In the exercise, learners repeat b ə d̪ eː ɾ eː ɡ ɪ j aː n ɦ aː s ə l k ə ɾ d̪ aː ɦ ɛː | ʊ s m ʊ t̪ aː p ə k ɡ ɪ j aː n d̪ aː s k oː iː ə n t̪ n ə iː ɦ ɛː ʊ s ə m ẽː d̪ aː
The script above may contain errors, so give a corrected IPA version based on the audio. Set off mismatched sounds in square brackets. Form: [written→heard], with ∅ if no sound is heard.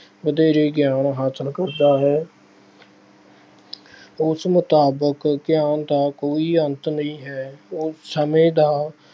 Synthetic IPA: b ə d̪ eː ɾ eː ɡ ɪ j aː n ɦ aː s ə l k ə ɾ d̪ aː ɦ ɛː | ʊ s m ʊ t̪ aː [p→b] ə k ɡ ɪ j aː n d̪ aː [s→∅] k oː iː ə n t̪ n ə [iː→ĩː] ɦ ɛː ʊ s ə m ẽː d̪ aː